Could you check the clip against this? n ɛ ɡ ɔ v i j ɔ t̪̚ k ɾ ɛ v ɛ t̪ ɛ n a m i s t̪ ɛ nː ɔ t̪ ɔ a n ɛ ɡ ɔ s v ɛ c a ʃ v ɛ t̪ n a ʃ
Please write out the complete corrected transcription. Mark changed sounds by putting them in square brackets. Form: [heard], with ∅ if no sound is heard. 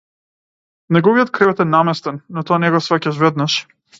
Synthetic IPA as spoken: n ɛ ɡ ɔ v i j ɔ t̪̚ k ɾ ɛ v ɛ t̪ ɛ n a m [ɛ] s t̪ ɛ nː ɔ t̪ ɔ a n ɛ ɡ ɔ s v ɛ c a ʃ v ɛ [d̪] n a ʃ